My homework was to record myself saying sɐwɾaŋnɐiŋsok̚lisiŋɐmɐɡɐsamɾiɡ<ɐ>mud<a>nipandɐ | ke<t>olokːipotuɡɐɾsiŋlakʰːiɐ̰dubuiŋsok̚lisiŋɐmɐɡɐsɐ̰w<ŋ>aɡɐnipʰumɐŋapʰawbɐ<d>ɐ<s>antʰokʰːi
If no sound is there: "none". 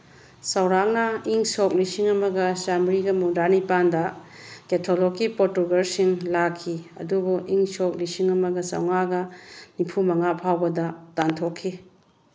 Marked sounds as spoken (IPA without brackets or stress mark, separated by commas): ɐ, a, tʰ, ŋ, d, t